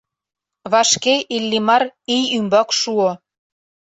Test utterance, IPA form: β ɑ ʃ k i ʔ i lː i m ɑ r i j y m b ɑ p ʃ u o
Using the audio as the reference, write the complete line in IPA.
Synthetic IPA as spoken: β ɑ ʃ k e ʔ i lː i m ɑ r i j y m b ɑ k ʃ u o